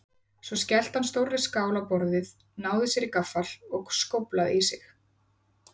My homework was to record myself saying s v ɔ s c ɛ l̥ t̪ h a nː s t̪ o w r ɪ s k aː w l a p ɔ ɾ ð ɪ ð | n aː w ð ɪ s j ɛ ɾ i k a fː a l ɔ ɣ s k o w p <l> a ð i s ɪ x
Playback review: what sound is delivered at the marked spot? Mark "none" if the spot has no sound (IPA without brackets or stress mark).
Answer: l